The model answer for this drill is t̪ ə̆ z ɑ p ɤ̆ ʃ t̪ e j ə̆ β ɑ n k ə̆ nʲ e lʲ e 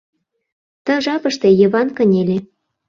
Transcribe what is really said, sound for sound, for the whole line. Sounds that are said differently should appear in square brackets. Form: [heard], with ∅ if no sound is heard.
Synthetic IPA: t̪ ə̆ [ʒ] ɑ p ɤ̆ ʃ t̪ e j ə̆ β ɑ n k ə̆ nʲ e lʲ e